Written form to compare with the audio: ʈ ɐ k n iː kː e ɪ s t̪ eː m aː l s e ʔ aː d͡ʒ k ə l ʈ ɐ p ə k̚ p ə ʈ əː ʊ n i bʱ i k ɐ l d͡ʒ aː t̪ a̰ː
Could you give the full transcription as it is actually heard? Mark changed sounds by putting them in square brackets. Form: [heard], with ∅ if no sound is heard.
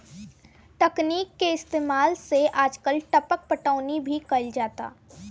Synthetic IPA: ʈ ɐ k n iː kː e ɪ s t̪ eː m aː l s e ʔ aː d͡ʒ k ə l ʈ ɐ p ə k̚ p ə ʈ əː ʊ n i bʱ i k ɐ l d͡ʒ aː t̪ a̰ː